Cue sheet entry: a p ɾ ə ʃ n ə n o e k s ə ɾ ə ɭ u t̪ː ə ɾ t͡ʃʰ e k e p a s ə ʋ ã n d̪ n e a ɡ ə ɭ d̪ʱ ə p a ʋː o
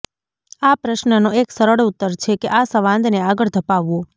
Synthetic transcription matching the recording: a p ɾ ə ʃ n ə n o e k s ə ɾ ə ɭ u t̪ː ə ɾ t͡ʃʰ e k e ʔ a s ə ʋ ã n d̪ n e a ɡ ə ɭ d̪ʱ ə p a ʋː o